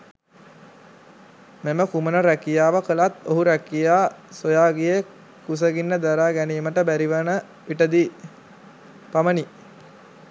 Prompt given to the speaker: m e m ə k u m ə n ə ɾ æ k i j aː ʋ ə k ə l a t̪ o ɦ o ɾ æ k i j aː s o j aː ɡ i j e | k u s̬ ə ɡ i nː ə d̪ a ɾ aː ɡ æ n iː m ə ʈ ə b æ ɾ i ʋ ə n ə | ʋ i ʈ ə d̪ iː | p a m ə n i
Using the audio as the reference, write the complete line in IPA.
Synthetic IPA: m e m ə k u m ə n ə ɾ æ k i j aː ʋ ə k ə l a t̪ o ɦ u ɾ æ k i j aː s o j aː ɡ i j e | k u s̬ ə ɡ i nː ə d̪ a ɾ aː ɡ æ n iː m ə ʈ ə b æ ɾ i ʋ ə n ə | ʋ i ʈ ə d̪ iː | p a m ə n i

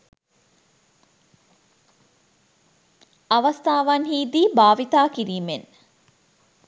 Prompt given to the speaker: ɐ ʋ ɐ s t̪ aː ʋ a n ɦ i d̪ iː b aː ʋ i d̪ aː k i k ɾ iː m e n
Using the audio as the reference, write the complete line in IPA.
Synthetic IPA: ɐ ʋ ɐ s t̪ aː ʋ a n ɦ iː d̪ iː b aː ʋ i t̪ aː k i ɾ iː m e n

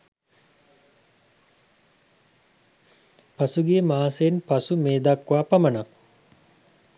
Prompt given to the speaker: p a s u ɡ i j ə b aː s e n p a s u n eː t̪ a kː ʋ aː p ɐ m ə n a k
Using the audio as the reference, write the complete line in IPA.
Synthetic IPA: p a s u ɡ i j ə m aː s e n p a s u m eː d̪ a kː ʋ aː p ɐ m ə n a k

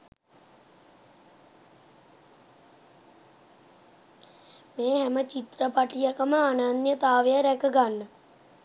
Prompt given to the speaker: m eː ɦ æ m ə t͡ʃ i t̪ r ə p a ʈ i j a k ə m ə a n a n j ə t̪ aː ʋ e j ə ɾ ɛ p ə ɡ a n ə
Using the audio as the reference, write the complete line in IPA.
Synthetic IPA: m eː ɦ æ m ə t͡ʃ i t̪ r ə p a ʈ i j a k ə m ə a n a n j ə t̪ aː ʋ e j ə ɾ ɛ k ə ɡ a nː ə

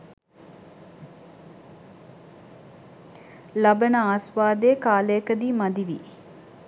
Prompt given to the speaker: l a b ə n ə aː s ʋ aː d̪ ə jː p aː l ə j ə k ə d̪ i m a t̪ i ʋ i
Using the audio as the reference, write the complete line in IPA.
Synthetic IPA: l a b ə n ə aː s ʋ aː d̪ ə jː k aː l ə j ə k ə d̪ i m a d̪ i ʋ i

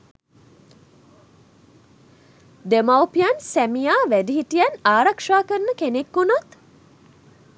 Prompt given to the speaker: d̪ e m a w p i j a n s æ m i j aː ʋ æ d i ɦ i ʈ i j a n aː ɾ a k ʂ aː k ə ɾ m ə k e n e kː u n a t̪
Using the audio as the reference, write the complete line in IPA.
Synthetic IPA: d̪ e m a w p i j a n s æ m i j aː ʋ æ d i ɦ i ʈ i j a n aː ɾ a k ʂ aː k ə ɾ n ə k e n e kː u n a t̪

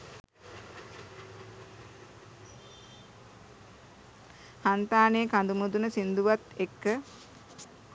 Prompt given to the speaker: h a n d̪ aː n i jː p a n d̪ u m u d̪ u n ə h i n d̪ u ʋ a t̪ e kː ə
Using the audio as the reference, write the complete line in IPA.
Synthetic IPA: h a n t̪ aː n e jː k a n d̪ u m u d̪ u n ə s i n d̪ u ʋ a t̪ e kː ə

